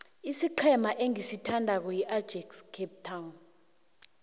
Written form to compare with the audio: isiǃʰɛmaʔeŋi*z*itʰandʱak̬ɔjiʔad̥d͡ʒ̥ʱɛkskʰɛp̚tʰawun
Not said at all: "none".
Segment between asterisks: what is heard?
s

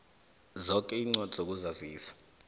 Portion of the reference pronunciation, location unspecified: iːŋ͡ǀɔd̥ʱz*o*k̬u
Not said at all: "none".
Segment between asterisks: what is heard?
o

